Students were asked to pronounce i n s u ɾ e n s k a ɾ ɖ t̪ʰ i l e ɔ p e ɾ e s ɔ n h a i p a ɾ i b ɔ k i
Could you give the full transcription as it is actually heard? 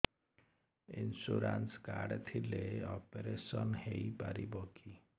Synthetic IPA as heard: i n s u ɾ a n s k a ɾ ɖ t̪ʰ i l e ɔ p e ɾ e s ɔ n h e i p a ɾ i b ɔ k i